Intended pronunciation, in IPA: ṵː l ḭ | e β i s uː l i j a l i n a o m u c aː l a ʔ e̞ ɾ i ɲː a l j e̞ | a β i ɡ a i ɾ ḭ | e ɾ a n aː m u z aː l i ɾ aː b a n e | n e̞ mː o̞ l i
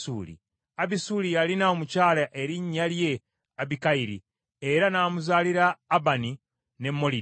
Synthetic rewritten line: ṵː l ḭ | a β i s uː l i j a l i n a o m u c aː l a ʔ e̞ ɾ i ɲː a l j e̞ | a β i k a i ɾ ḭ | e ɾ a n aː m u z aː l i ɾ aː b a n i | n e̞ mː o̞ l i